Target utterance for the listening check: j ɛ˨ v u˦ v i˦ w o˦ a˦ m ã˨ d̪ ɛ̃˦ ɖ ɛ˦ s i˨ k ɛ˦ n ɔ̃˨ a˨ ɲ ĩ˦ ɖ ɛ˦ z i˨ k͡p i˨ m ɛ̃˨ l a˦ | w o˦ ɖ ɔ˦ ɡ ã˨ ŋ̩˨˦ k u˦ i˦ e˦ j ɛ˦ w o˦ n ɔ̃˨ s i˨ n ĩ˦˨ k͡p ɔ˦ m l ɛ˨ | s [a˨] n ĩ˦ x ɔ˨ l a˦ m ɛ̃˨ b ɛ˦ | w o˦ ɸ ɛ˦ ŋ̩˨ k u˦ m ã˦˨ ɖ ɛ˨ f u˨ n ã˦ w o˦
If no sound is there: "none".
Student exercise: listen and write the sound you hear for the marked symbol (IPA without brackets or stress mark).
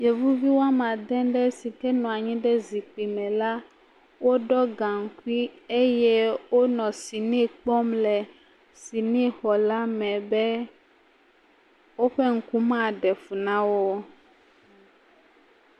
i˨